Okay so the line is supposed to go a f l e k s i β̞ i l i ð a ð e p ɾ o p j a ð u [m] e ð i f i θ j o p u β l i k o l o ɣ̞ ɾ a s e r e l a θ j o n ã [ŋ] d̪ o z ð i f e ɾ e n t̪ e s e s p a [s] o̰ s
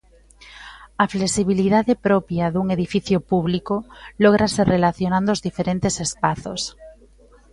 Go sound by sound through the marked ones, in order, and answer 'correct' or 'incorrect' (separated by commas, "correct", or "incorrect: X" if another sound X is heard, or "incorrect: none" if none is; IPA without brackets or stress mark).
incorrect: ŋ, incorrect: n, incorrect: θ